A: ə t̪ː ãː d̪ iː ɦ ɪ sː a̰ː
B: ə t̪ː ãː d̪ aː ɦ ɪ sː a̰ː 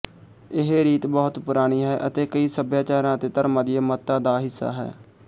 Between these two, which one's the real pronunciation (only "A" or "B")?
B